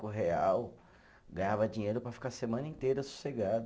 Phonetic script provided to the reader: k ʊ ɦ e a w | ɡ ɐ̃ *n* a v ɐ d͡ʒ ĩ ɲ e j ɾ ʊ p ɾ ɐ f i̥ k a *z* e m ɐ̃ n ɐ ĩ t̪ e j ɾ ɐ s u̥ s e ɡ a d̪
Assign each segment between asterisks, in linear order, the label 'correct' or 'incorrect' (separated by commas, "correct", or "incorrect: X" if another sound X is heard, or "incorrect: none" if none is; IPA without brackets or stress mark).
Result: incorrect: ɲ, incorrect: s